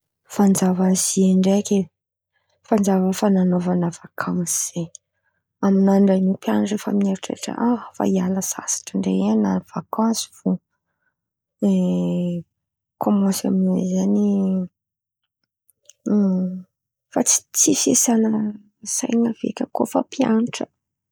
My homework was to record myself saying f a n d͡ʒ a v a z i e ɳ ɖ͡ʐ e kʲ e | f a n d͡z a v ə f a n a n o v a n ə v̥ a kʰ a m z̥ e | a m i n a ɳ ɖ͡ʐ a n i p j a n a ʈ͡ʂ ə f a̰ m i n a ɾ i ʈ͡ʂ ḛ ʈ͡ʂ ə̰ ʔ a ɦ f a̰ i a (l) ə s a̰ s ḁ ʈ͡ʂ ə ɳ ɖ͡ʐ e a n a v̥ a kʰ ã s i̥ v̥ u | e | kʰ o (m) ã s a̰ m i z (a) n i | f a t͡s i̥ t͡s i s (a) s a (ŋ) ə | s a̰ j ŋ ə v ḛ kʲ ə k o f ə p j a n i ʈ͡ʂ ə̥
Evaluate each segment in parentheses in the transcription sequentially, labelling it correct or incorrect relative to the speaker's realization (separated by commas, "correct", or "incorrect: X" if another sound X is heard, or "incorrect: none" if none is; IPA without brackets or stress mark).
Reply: correct, correct, correct, incorrect: e, incorrect: n